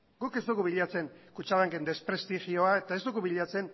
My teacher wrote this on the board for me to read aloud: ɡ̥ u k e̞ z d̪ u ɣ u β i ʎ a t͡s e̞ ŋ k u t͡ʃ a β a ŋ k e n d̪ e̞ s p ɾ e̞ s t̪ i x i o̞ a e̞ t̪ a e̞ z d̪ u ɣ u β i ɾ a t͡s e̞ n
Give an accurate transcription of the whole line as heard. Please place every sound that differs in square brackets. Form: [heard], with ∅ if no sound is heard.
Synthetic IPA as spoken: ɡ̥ u k e̞ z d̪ u ɣ u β i ʎ a t͡s e̞ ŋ k u t͡ʃ a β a ŋ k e n d̪ e̞ s p ɾ e̞ s t̪ i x i o̞ a e̞ t̪ a e̞ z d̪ u ɣ u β i [ʎ] a t͡s e̞ n